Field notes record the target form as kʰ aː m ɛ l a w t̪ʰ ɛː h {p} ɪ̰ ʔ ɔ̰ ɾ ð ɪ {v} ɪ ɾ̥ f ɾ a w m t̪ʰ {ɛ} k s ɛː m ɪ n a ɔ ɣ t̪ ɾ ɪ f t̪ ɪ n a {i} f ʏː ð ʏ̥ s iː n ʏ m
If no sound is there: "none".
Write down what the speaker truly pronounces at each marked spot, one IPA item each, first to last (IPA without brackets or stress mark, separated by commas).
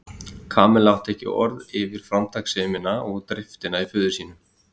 c, v, a, i